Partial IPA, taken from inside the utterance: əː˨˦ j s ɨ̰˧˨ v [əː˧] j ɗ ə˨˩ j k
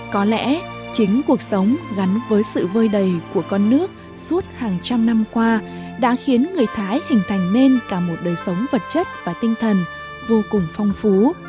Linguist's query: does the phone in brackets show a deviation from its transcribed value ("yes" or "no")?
no